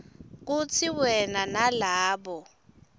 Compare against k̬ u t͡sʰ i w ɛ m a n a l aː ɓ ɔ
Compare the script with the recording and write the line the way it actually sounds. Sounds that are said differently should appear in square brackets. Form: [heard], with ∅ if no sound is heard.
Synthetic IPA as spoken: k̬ u t͡sʰ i w ɛ [n] a n a l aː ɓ ɔ